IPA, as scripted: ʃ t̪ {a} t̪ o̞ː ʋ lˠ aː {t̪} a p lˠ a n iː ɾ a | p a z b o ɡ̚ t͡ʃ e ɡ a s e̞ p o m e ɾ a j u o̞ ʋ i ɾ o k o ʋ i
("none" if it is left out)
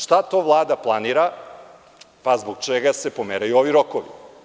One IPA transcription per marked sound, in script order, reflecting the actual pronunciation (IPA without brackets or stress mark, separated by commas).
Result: a, d̪